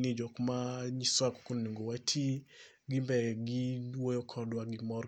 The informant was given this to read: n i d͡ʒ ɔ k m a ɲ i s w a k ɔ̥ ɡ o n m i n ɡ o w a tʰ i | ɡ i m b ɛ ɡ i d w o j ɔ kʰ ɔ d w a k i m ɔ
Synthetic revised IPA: n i d͡ʒ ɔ k m a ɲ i s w a k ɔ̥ k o n n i ŋ ɡ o w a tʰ i | ɡ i m b ɛ ɡ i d w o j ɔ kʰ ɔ d w a ɡ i m ɔ